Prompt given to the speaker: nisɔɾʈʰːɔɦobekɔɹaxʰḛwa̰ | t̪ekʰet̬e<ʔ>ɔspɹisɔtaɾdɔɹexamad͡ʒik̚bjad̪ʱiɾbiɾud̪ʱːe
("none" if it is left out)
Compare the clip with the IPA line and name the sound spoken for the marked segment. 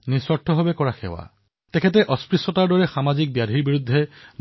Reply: ʔ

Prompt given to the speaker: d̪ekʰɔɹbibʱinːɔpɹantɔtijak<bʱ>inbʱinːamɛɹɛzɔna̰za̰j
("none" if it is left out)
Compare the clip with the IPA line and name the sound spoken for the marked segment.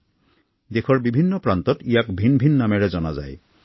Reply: bʱ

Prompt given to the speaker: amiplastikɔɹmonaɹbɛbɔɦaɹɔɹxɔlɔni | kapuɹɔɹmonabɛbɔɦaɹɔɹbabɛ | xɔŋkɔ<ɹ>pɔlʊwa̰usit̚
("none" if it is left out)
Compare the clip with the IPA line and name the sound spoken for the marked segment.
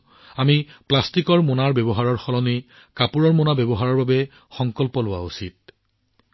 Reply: l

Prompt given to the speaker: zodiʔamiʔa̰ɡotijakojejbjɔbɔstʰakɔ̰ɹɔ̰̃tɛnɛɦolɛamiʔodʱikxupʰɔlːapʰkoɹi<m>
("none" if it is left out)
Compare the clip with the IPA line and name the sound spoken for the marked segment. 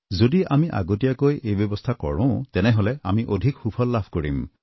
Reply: m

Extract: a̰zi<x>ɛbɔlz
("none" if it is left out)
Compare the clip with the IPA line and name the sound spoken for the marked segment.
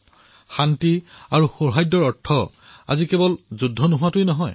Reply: k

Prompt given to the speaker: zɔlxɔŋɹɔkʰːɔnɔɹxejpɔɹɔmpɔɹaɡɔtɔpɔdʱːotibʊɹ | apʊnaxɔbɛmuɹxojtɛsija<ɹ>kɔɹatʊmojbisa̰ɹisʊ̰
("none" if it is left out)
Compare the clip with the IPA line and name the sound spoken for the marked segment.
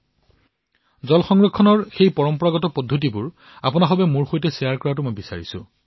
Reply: ɹ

